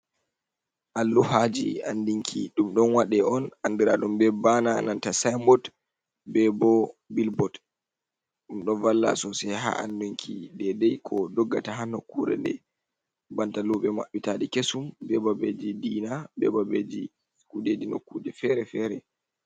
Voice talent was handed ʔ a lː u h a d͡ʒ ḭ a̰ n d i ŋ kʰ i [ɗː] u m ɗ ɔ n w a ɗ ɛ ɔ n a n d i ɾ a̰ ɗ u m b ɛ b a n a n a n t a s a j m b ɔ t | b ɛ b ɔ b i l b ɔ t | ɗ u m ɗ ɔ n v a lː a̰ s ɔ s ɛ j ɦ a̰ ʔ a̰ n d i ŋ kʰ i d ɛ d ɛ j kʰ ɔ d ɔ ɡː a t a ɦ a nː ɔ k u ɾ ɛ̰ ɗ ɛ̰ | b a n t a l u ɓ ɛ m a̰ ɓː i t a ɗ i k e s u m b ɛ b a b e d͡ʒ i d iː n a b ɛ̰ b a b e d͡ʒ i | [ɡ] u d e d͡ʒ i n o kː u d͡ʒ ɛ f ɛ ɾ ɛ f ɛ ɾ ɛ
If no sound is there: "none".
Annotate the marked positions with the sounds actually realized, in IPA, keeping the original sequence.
ɗ, k

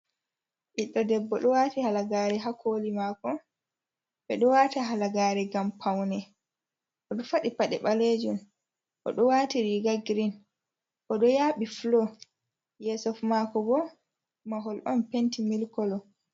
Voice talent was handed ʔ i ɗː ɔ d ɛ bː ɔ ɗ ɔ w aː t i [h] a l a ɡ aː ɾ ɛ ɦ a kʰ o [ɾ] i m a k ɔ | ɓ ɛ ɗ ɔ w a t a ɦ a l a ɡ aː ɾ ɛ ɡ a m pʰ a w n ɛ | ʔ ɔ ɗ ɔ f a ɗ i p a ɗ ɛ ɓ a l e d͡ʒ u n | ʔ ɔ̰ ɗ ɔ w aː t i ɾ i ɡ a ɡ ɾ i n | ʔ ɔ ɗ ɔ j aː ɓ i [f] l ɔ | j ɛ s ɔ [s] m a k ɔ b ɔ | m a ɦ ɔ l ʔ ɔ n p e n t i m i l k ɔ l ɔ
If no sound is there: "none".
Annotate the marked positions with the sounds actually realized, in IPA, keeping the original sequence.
h, l, f, f

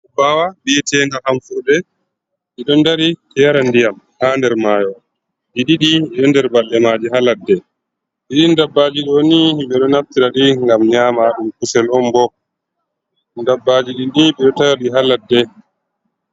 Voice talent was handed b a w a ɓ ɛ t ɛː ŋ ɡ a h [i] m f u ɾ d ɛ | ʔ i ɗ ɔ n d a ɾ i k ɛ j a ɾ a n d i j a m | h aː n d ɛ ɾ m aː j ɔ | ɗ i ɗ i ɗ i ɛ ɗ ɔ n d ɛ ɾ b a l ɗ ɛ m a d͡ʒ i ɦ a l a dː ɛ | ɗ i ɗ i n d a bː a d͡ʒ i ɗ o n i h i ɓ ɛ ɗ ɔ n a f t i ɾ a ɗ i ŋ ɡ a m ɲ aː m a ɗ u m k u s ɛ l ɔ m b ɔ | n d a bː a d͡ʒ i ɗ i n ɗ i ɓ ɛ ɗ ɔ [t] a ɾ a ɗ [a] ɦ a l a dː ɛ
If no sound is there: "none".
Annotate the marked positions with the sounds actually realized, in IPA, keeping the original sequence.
a, t, i

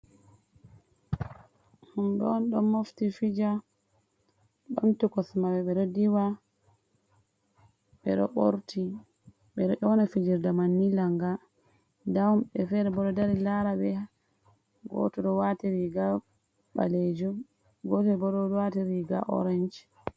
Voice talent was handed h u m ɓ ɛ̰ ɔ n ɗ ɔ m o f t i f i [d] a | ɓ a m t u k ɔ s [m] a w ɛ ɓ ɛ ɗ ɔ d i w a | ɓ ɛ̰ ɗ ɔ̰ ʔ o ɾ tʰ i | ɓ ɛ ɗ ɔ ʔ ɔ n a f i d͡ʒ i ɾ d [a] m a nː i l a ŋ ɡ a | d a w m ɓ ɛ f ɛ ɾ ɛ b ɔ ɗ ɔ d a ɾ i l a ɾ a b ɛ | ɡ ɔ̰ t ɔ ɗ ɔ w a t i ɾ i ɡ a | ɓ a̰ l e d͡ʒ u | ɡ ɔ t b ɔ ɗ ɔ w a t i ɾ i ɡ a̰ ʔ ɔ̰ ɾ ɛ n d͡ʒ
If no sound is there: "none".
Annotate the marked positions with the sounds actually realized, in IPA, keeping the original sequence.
d͡ʒ, m, a

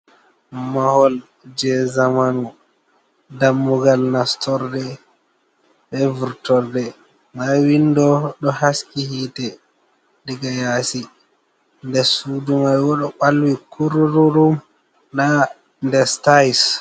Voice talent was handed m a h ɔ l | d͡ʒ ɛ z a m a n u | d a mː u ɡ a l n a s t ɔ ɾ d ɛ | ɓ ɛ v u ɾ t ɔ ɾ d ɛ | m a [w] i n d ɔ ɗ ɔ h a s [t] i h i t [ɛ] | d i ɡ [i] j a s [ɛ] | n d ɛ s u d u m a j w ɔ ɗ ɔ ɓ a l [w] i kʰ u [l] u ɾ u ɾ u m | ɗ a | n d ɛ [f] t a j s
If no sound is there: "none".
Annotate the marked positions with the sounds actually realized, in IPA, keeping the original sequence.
w, k, ɛ, a, i, w, ɾ, s

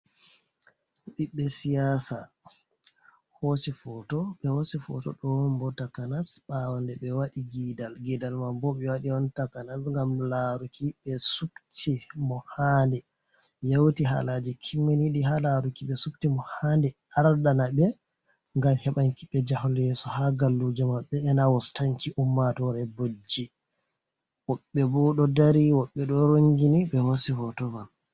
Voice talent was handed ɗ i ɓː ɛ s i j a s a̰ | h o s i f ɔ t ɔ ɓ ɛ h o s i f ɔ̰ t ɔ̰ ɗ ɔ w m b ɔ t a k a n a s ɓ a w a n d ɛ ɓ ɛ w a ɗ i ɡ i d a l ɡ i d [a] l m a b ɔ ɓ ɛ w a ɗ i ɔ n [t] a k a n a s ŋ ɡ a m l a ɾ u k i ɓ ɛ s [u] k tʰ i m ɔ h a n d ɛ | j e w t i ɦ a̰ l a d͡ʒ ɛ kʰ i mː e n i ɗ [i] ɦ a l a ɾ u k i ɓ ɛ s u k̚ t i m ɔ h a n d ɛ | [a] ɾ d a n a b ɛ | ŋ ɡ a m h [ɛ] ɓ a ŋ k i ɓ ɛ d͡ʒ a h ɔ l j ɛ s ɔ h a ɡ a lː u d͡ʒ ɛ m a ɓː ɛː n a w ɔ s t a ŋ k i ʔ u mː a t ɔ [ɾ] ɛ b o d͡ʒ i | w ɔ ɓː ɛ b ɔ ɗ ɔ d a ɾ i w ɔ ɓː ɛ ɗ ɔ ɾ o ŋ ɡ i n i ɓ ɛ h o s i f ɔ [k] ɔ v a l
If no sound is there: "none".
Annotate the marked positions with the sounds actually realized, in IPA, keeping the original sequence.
a, t, u, i, a, ɛ, ɾ, t

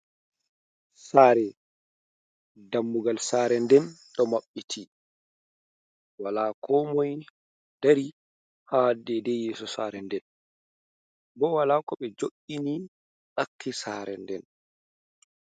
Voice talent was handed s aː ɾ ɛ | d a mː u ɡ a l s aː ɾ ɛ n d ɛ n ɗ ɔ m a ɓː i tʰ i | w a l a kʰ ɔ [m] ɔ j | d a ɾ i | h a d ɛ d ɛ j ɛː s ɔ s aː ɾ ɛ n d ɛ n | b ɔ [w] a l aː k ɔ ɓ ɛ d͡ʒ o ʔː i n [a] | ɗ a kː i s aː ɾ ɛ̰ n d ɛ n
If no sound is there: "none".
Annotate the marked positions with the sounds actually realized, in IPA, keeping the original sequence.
m, w, i

